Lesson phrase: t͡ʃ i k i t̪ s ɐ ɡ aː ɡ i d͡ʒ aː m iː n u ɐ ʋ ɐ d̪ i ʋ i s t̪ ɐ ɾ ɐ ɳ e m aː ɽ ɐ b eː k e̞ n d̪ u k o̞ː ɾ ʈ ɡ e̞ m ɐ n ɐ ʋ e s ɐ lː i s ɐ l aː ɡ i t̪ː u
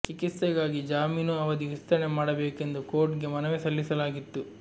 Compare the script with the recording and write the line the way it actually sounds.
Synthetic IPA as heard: t͡ʃ i k i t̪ s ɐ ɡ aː ɡ i d͡ʒ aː m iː n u ɐ ʋ ɐ d̪ i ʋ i s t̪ ɐ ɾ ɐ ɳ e m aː ɽ ɐ b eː k e̞ n d̪ u k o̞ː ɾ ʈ ɡ e̞ m ɐ n ɐ ʋ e s ɐ lː i s ɐ l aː ɡ i t̪ː u